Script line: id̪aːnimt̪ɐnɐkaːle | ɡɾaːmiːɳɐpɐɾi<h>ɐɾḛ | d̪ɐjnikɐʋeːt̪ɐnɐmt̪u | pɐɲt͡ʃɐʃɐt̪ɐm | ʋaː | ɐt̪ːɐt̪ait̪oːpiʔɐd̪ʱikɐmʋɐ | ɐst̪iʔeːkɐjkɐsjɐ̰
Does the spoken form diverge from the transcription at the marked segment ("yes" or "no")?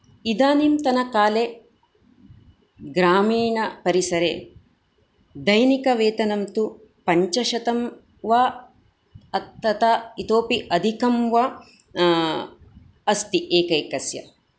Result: yes